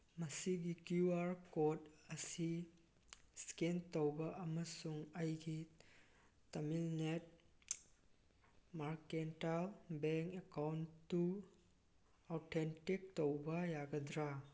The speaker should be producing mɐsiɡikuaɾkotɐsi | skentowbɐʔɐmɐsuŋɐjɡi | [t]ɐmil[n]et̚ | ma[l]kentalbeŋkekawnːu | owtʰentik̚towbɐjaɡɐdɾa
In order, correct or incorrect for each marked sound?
correct, correct, incorrect

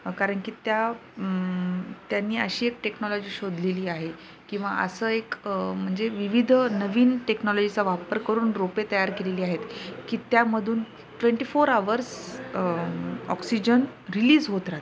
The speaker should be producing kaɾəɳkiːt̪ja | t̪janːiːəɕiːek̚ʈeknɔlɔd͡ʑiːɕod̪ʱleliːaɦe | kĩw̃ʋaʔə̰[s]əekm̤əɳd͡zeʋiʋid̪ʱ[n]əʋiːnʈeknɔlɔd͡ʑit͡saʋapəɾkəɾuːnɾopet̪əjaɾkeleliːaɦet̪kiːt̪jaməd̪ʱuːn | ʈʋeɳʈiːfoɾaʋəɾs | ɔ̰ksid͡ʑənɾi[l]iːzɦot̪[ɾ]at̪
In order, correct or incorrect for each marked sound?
correct, correct, correct, correct

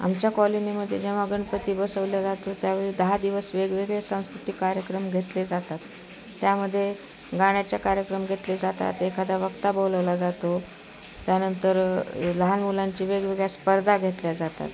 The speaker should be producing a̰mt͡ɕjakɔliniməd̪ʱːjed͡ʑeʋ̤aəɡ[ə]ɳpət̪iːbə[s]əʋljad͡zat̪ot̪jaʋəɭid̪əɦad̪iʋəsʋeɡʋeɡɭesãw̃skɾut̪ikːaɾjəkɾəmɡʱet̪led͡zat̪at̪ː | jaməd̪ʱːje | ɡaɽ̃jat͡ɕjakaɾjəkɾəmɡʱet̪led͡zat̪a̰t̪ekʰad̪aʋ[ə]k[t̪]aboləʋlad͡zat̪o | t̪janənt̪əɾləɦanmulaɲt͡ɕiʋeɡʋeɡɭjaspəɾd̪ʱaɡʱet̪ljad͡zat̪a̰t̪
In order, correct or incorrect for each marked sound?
correct, correct, correct, correct

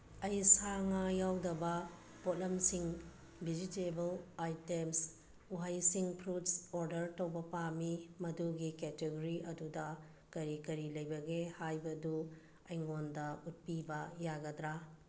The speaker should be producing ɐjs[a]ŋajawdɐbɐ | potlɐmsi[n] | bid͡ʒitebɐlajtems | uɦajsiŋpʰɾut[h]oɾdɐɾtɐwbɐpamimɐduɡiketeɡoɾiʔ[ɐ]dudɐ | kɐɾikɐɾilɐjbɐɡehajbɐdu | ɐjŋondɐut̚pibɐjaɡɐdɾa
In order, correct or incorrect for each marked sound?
correct, incorrect, incorrect, correct

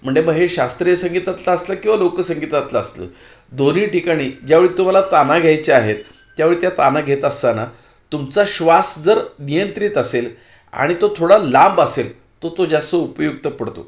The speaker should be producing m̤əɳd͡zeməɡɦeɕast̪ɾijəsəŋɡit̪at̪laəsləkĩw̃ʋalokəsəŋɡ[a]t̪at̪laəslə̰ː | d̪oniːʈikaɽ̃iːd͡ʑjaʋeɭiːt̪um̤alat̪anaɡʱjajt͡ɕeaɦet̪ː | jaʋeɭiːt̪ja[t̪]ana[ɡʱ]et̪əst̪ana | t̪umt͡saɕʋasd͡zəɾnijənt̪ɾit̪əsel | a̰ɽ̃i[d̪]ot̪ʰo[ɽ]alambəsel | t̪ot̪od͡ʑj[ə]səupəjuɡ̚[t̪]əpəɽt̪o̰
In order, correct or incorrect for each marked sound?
incorrect, correct, correct, incorrect, correct, incorrect, correct

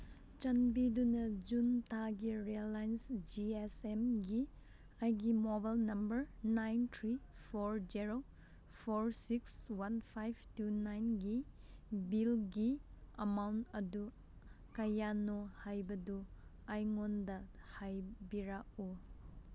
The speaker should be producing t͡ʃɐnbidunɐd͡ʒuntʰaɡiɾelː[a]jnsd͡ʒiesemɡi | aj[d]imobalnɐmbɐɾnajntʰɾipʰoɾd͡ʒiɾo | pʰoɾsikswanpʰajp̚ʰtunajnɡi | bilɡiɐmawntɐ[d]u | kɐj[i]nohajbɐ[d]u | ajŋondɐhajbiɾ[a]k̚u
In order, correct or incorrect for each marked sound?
correct, incorrect, correct, incorrect, correct, correct

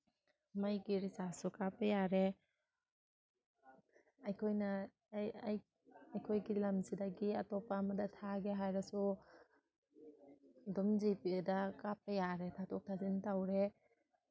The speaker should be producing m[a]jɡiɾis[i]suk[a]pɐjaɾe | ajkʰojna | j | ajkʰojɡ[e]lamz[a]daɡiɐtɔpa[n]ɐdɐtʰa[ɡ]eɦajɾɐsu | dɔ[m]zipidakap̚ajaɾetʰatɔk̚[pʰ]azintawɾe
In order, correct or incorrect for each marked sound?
correct, incorrect, correct, incorrect, incorrect, incorrect, correct, correct, incorrect

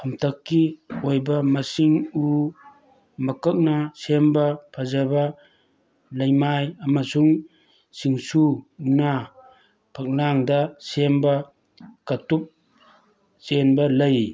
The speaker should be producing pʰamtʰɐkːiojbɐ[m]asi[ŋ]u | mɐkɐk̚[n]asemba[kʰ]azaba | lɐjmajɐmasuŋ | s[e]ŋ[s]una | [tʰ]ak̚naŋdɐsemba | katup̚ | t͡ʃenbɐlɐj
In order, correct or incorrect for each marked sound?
correct, correct, correct, incorrect, incorrect, correct, incorrect

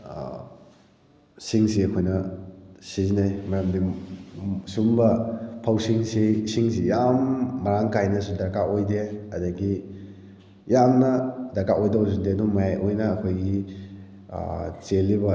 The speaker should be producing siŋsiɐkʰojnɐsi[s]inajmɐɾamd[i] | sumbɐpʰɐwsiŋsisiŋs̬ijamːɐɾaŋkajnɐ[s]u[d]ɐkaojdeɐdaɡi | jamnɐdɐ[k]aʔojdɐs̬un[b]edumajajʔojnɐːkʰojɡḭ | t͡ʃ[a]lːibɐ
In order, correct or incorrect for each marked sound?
incorrect, correct, correct, correct, correct, incorrect, incorrect

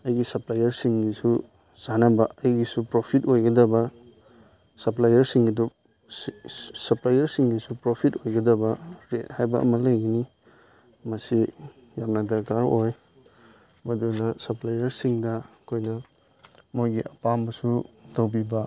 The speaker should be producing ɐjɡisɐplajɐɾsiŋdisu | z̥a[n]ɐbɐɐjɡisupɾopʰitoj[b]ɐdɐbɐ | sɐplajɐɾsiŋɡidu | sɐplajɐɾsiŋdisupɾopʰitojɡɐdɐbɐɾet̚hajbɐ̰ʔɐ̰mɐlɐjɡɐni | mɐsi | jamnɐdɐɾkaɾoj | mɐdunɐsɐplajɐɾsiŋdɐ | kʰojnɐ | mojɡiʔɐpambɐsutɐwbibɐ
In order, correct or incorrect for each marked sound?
correct, incorrect

